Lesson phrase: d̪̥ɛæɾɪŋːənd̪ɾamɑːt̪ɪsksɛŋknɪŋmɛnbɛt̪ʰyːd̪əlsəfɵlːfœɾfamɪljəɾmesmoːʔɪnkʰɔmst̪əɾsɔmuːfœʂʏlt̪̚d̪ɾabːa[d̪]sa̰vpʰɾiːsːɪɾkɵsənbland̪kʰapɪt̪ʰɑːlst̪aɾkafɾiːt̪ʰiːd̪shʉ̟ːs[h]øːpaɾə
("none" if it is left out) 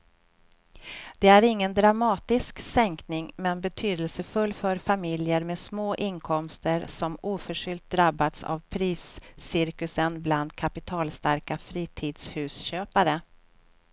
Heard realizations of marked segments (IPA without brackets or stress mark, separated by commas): t̪, ɕ